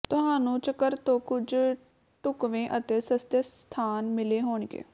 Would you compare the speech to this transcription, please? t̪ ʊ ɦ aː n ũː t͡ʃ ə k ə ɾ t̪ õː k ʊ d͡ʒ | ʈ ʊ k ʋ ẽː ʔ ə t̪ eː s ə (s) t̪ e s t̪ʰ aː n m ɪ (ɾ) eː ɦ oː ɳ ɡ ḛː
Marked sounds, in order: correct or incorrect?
correct, incorrect: l

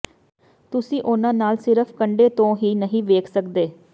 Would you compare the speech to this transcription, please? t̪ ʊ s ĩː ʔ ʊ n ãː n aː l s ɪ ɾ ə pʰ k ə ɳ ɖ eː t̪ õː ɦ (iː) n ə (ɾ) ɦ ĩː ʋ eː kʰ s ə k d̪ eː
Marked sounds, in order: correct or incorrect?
correct, incorrect: none

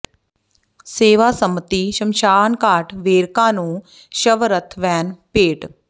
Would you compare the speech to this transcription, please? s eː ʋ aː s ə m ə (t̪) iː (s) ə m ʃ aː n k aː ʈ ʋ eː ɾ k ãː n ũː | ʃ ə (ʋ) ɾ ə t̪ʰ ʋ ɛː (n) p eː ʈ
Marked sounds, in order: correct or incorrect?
correct, incorrect: ʃ, correct, correct

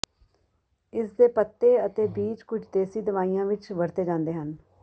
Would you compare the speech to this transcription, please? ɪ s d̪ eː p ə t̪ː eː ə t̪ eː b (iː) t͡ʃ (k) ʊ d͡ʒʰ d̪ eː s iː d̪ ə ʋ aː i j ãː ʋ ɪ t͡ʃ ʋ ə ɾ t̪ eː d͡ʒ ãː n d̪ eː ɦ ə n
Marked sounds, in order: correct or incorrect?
correct, correct

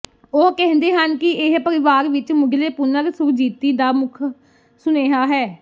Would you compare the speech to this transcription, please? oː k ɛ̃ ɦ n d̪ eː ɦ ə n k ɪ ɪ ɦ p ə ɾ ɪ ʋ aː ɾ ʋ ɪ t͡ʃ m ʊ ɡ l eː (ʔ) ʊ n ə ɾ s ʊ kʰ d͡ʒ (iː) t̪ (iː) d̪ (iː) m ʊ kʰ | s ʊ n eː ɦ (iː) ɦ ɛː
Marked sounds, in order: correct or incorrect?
incorrect: p, correct, correct, incorrect: aː, incorrect: aː

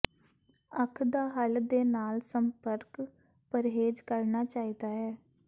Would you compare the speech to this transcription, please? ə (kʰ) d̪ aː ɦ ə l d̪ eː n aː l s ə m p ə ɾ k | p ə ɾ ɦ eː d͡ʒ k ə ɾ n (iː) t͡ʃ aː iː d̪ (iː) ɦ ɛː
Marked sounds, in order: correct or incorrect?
correct, incorrect: aː, incorrect: aː

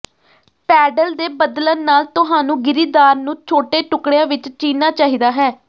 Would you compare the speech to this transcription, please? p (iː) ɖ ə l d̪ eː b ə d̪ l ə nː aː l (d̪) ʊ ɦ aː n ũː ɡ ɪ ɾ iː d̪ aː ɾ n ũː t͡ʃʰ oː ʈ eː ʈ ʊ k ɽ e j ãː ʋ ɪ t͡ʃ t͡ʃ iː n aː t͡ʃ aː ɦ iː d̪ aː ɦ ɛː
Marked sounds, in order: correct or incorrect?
incorrect: ɛː, incorrect: t̪

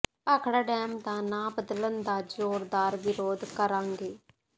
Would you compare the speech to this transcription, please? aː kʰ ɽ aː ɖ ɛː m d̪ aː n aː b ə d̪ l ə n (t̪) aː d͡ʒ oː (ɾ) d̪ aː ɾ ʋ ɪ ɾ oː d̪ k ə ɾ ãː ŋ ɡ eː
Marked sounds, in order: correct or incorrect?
incorrect: d̪, correct

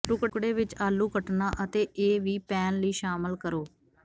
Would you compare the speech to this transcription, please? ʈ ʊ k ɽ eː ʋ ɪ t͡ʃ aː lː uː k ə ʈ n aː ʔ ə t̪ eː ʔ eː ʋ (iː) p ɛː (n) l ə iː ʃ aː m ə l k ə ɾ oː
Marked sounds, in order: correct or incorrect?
correct, correct

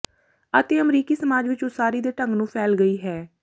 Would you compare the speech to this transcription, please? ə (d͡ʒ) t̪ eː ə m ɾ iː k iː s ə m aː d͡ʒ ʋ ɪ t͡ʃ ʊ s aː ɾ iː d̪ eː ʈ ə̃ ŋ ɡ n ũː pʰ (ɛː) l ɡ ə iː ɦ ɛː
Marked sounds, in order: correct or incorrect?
incorrect: none, correct

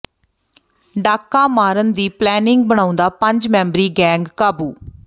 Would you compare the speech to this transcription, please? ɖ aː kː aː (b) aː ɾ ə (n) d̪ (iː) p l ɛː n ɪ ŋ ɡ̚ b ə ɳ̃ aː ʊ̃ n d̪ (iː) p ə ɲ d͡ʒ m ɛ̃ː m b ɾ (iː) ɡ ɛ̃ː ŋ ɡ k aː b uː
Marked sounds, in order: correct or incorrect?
incorrect: m, correct, correct, incorrect: aː, correct

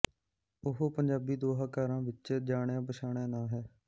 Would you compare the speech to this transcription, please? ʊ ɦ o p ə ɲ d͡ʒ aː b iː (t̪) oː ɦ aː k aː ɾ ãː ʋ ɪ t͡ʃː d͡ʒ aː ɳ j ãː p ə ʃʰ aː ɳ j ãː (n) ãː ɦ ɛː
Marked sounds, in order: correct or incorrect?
incorrect: d̪, correct

